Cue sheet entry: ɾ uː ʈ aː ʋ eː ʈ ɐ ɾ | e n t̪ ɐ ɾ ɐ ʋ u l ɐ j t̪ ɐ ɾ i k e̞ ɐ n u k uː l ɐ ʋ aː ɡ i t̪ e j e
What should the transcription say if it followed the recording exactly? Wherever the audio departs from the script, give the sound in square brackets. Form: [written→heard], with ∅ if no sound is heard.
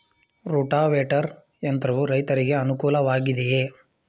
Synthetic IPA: ɾ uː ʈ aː ʋ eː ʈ ɐ ɾ | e n t̪ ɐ ɾ ɐ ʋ u [l→ɾ] ɐ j t̪ ɐ ɾ i [k→ɡ] e̞ ɐ n u k uː l ɐ ʋ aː ɡ i [t̪→d̪] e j e